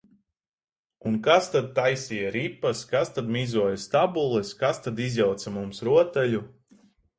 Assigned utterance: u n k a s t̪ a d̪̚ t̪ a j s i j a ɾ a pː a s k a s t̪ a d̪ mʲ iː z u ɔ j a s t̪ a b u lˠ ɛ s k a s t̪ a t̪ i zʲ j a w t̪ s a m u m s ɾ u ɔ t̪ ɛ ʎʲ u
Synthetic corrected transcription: u n k a s t̪ a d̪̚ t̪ a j s i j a ɾ i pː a s k a s t̪ a d̪ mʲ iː z u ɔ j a s t̪ a b u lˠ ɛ s k a s t̪ a d̪ i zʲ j a w t̪ s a m u m s ɾ u ɔ t̪ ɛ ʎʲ u